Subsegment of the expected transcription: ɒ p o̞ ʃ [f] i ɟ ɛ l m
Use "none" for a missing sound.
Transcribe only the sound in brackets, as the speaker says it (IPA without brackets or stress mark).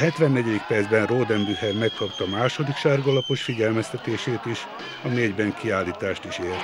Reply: f